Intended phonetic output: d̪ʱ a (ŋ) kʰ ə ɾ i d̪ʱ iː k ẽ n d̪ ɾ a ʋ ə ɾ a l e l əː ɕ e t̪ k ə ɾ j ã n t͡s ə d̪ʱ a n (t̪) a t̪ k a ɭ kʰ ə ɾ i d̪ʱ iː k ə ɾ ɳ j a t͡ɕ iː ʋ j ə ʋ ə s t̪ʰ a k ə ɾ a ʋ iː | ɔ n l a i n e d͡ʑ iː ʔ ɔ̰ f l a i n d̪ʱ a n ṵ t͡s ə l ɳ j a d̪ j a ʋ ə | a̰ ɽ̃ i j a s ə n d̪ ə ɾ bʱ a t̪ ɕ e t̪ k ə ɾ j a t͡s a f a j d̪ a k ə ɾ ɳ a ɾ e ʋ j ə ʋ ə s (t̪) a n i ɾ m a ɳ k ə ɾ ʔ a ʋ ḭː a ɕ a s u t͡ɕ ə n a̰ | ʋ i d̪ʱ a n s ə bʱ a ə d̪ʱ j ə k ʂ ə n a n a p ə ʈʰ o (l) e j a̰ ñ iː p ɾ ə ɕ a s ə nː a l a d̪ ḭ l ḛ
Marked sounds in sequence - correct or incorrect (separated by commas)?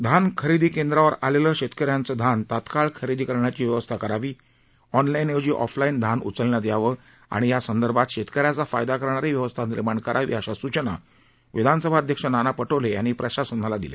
incorrect, correct, incorrect, correct